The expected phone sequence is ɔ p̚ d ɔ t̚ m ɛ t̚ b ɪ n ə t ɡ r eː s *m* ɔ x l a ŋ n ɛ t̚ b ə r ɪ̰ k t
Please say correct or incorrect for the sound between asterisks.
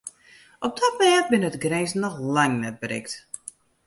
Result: incorrect